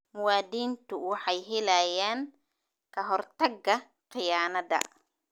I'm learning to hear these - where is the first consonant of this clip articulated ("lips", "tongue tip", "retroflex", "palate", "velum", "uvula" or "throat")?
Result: lips